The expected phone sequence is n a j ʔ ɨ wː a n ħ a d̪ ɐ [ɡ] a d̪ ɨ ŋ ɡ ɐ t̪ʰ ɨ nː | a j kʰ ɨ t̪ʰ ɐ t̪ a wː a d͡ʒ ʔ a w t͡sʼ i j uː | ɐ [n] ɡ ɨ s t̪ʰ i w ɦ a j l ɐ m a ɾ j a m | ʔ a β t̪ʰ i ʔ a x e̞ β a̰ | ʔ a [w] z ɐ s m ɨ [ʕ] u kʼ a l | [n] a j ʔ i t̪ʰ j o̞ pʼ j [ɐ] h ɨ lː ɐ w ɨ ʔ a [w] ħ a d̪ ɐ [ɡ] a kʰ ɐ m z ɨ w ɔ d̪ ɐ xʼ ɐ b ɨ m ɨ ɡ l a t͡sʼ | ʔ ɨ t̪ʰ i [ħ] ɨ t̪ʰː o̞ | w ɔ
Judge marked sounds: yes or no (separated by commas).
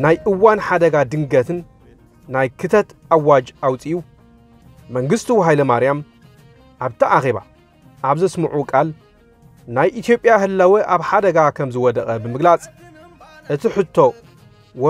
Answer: yes, no, no, yes, yes, no, no, yes, yes